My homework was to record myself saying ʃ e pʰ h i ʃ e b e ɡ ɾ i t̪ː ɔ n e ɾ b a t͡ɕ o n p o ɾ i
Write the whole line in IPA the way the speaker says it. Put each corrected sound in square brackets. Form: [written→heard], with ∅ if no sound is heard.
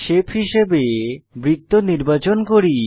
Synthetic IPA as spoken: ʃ e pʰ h i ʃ e b e [ɡ→b] ɾ i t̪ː [ɔ→o] n [e→i] ɾ b a t͡ɕ o n [p→k] o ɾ i